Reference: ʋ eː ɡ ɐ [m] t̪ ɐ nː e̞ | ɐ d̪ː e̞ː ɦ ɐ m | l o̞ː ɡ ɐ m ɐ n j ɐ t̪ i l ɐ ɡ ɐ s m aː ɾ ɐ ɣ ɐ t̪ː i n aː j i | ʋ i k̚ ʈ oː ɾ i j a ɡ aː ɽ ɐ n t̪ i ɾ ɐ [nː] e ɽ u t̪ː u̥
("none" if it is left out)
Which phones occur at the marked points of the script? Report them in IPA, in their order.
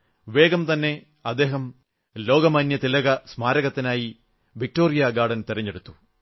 m, ɲː

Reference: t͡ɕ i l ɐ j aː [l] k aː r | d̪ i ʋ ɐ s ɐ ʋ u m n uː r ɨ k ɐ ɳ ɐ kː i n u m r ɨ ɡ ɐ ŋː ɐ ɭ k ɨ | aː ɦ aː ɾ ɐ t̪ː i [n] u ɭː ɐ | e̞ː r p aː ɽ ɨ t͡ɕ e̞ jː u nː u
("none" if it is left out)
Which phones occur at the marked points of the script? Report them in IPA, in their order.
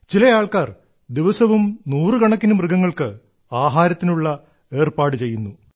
ɭ, n

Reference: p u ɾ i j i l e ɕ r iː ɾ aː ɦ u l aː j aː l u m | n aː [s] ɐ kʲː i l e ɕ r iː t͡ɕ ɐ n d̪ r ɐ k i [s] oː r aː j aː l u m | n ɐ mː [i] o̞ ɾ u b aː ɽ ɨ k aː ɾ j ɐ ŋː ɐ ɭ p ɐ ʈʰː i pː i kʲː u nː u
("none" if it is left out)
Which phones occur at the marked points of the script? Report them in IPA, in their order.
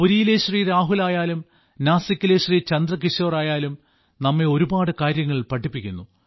s, ʂ, e

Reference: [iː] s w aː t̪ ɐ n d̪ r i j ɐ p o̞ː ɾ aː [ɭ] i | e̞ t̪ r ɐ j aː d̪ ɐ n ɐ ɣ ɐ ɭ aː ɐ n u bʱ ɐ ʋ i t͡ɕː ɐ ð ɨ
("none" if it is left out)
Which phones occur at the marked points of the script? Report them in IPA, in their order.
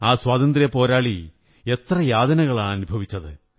aː, ɭ

